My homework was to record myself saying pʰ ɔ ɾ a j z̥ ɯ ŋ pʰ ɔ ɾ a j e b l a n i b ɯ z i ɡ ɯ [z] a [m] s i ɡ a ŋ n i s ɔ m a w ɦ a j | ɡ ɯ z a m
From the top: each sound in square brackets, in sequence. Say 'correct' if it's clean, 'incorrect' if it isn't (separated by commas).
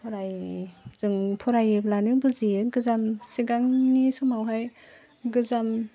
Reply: correct, correct